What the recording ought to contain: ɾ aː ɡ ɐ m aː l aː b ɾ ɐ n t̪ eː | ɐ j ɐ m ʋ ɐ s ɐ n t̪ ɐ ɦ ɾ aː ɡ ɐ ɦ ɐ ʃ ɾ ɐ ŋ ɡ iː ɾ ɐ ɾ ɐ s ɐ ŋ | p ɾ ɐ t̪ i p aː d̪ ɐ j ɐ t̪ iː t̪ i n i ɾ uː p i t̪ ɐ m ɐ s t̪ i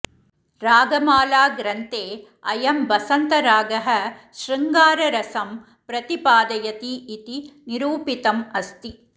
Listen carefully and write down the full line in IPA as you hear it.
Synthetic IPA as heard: ɾ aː ɡ ɐ m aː l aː ɡ ɾ ɐ n t̪ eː | ɐ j ɐ m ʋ ɐ s ɐ n t̪ ɐ ɾ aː ɡ ɐ ɦ ɐ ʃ ɾ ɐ ŋ ɡ aː ɾ ɐ ɾ ɐ s ɐ m | p ɾ ɐ t̪ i p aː d̪ ɐ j ɐ t̪ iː t̪ i n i ɾ uː p i t̪ ɐ m ɐ s t̪ i

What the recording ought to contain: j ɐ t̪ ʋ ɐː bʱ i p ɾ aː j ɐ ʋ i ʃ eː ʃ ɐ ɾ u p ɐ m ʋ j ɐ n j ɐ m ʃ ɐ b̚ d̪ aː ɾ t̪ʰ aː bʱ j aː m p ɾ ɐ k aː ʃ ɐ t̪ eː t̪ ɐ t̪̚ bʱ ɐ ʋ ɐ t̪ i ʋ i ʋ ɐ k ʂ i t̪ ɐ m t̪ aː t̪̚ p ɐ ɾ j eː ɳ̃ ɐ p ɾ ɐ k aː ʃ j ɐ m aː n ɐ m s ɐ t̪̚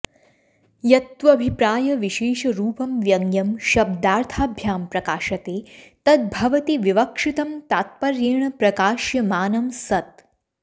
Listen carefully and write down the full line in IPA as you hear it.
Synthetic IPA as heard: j ɐ t̪ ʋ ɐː bʱ i p ɾ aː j ɐ ʋ i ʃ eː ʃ ɐ ɾ uː p ɐ m ʋ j ɐ ŋ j ɐ m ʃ ɐ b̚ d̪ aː ɾ t̪ʰ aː bʱ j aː m p ɾ ɐ k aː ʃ ɐ t̪ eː t̪ ɐ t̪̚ bʱ ɐ ʋ ɐ t̪ i ʋ i ʋ ɐ k ʂ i t̪ ɐ m t̪ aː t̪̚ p ɐ ɾ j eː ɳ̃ ɐ p ɾ ɐ k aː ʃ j ɐ m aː n ɐ m s ɐ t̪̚

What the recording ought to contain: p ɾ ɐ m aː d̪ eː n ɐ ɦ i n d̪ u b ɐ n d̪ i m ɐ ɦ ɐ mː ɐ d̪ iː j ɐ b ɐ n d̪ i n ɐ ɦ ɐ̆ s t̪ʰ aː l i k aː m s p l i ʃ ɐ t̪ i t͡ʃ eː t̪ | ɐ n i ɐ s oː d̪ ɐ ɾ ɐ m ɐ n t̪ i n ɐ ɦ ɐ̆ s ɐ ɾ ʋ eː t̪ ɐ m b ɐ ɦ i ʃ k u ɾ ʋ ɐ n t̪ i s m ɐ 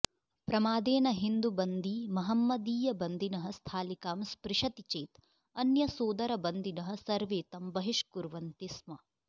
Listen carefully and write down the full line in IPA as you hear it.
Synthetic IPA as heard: p ɾ ɐ m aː d̪ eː n ɐ ɦ i n d̪ u b ɐ n d̪ i m ɐ ɦ ɐ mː ɐ d̪ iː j ɐ b ɐ n d̪ i n ɐ ɦ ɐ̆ s t̪ʰ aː l i k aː m s p ɾ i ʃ ɐ t̪ i t͡ʃ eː t̪ | ɐ n j ɐ s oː d̪ ɐ ɾ ɐ b ɐ n d̪ i n ɐ ɦ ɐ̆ s ɐ ɾ ʋ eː t̪ ɐ m b ɐ ɦ i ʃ k u ɾ ʋ ɐ n t̪ i s m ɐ

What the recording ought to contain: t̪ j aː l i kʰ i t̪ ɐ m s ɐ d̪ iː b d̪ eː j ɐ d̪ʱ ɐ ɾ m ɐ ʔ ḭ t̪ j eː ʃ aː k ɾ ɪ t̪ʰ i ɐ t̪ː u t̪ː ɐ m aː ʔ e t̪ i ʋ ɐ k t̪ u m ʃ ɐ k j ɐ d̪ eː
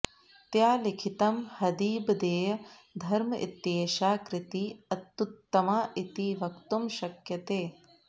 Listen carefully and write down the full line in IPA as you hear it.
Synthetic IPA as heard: t̪ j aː l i kʰ i t̪ ɐ m h ɐ d̪ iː b d̪ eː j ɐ d̪ʱ ɐ ɾ m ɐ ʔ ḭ t̪ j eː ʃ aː k ɾ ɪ t̪ i ɐ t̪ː u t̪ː ɐ m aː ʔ i t̪ i ʋ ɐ k t̪ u m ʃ ɐ k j ɐ t̪ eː

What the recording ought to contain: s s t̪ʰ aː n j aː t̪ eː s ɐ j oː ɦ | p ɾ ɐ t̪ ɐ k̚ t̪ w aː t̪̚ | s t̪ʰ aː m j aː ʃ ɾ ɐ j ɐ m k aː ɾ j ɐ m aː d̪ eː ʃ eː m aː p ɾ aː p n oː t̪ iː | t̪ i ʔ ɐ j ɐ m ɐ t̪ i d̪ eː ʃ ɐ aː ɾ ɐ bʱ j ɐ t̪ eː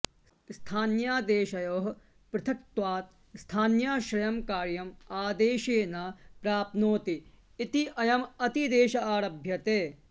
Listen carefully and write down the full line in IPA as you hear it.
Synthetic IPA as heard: s s t̪ʰ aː n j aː d̪ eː ʃ ɐ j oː ɦ | p ɾ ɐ t̪ʰ ɐ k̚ t̪ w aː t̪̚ | s t̪ʰ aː n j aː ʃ ɾ ɐ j ɐ m k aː ɾ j ɐ m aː d̪ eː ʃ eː n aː p ɾ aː p n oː t̪ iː | t̪ i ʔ ɐ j ɐ m ɐ t̪ i d̪ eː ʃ ɐ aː ɾ ɐ bʱ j ɐ t̪ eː

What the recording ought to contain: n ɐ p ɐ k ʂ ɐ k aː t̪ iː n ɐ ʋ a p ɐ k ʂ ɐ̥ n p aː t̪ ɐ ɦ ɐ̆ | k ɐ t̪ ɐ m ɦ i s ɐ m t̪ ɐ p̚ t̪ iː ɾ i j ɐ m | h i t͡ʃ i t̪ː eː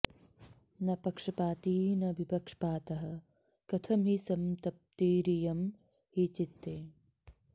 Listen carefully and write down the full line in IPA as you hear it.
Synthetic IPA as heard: n ɐ p ɐ k ʂ ɐ p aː t̪ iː n ɐ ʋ i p ɐ k ʂ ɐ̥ p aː t̪ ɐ ɦ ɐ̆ | k ɐ t̪ʰ ɐ m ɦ i s ɐ m t̪ ɐ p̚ t̪ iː ɾ i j ɐ m | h i t͡ʃ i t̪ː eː

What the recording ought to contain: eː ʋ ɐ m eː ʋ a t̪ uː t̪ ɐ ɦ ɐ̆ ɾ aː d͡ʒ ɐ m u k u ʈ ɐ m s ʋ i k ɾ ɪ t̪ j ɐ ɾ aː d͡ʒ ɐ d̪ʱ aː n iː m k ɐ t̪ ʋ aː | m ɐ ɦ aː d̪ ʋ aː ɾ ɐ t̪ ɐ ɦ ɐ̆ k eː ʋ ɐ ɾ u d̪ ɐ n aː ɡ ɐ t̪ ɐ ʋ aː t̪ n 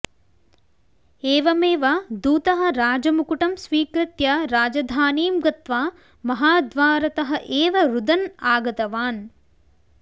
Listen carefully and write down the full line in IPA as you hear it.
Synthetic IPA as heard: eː ʋ ɐ m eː ʋ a d̪ uː t̪ ɐ ɦ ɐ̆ ɾ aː d͡ʒ ɐ m u k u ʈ ɐ m s ʋ iː k ɾ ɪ t̪ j ɐ ɾ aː d͡ʒ ɐ d̪ʱ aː n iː m ɡ ɐ t̪ ʋ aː | m ɐ ɦ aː d̪ ʋ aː ɾ ɐ t̪ ɐ ɦ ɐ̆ ʔ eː ʋ ɐ ɾ u d̪ ɐ n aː ɡ ɐ t̪ ɐ ʋ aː n

